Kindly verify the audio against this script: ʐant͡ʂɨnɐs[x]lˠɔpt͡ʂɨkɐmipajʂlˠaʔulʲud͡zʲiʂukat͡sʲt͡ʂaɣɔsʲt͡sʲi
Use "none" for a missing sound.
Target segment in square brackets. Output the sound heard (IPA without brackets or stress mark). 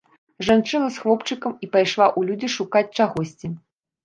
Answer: x